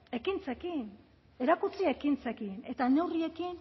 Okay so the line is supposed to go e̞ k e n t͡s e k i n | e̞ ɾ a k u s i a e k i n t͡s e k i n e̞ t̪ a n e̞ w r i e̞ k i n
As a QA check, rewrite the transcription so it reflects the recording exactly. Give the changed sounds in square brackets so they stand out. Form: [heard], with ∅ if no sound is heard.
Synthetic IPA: e̞ k [i] n t͡s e k i n | e̞ ɾ a k u [t͡s] i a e k i n t͡s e k i n e̞ t̪ a n e̞ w r i e̞ k i n